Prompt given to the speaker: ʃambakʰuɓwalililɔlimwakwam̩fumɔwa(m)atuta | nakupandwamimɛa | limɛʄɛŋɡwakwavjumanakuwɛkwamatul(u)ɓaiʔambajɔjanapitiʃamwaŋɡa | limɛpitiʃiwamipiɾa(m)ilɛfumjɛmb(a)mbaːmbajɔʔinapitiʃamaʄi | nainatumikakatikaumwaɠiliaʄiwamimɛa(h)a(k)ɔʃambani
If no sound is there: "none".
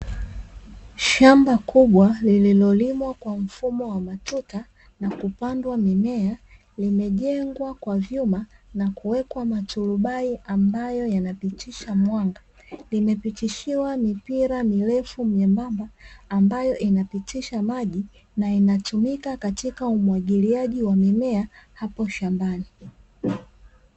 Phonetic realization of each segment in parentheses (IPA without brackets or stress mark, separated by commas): m, u, m, a, h, p